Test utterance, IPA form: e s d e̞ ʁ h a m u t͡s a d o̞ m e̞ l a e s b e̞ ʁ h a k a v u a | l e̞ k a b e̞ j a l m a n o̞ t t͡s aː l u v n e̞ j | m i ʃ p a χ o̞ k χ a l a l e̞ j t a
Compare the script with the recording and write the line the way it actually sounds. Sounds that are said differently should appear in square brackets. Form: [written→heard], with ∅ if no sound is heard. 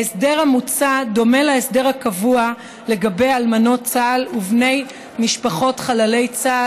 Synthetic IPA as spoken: e s d e̞ ʁ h a m u t͡s a d o̞ m e̞ l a e s [b→d] e̞ ʁ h a k a v u a | l e̞ [k→ɡ] a b e̞ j a l m a n o̞ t t͡s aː l u v n e̞ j | m i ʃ p a χ o̞ [k→t] χ a l a l e̞ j [t→t͡s] a